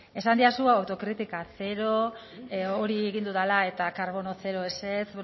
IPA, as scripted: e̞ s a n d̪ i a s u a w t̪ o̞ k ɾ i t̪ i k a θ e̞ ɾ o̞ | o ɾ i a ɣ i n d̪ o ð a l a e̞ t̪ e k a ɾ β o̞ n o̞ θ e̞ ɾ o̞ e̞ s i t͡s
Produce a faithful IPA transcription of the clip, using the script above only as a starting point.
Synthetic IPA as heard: e̞ s a n d̪ i a s u a w t̪ o̞ k ɾ i t̪ i k a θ e̞ ɾ o̞ | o ɾ i e ɣ i n d̪ u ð a l a e̞ t̪ a k a ɾ β o̞ n o̞ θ e̞ ɾ o̞ e̞ s e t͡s